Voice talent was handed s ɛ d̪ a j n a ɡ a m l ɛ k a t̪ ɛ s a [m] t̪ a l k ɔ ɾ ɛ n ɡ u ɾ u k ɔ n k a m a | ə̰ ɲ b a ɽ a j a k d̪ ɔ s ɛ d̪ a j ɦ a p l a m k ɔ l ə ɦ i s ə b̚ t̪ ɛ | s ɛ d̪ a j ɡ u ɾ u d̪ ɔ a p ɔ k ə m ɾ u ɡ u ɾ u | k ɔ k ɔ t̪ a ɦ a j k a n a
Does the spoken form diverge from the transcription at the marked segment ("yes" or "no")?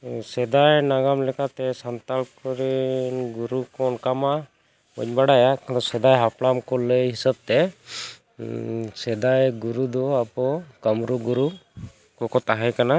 yes